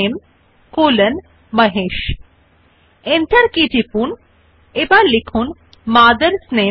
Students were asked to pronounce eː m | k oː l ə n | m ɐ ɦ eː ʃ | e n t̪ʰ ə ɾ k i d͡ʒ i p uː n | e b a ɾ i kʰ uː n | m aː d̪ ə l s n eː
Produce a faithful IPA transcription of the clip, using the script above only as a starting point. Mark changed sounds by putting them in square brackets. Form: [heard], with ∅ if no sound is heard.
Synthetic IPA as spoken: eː m | k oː l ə n | m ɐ ɦ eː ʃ | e n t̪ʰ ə ɾ k i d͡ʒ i p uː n | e b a [l] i kʰ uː n | m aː d̪ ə [ɾ] s n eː